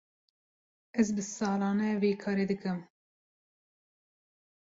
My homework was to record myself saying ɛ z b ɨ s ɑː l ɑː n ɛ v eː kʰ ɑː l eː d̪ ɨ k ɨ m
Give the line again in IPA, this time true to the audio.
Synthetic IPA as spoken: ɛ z b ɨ s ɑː l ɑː n ɛ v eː kʰ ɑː ɾ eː d̪ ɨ k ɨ m